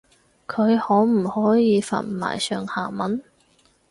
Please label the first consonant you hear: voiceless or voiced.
voiceless